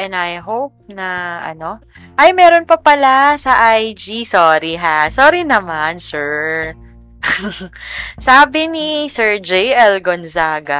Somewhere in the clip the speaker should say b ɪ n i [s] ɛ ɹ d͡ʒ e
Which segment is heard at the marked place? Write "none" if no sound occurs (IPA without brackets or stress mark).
s